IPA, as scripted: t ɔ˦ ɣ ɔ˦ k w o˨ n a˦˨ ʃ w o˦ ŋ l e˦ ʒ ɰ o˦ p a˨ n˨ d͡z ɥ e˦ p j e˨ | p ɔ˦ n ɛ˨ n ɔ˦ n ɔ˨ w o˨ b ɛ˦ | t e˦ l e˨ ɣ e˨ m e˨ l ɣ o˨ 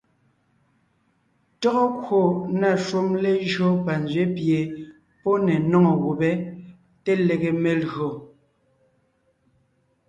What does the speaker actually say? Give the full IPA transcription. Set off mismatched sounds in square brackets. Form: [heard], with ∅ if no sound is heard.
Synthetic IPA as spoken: t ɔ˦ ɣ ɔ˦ k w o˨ n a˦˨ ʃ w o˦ [m] l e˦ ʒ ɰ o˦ p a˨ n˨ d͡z ɥ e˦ p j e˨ | p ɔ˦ n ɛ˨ n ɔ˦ [ŋ] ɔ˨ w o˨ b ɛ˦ | t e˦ l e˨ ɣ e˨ m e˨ l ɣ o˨